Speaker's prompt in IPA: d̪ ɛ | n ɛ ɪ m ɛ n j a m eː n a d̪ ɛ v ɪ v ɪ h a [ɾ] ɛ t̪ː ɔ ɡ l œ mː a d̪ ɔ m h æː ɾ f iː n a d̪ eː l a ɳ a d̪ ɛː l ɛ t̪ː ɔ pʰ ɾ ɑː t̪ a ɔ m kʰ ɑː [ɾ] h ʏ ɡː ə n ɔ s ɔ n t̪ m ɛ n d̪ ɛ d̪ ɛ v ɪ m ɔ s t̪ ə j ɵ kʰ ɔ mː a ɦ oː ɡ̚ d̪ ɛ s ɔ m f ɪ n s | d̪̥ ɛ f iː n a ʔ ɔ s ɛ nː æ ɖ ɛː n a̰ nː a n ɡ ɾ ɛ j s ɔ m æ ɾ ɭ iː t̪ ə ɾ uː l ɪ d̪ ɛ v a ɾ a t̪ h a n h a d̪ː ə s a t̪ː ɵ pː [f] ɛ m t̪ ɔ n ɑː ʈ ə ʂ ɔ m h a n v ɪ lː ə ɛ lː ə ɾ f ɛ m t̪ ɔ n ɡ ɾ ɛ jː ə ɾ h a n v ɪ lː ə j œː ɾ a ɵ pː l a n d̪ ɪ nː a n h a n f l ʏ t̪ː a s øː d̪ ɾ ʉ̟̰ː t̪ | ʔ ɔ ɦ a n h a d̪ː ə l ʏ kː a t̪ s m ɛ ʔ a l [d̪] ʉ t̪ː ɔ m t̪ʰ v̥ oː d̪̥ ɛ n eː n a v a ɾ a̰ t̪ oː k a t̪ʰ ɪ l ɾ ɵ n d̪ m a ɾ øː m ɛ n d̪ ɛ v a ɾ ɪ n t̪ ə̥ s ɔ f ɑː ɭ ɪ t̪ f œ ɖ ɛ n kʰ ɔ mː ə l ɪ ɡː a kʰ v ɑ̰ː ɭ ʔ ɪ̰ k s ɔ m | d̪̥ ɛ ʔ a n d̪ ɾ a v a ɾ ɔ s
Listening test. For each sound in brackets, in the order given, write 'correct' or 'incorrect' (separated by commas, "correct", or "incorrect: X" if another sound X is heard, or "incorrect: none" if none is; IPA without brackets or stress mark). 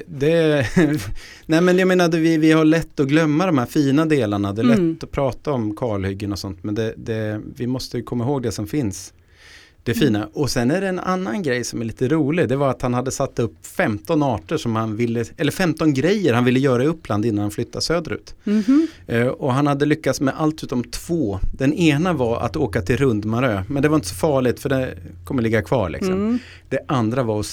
incorrect: ɭ, incorrect: ɭ, correct, incorrect: t̪